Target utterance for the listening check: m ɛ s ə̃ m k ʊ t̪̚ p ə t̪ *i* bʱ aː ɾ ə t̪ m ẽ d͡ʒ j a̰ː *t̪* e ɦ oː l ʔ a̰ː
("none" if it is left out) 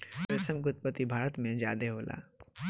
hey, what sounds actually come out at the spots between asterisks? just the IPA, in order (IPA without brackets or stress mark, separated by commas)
i, d̪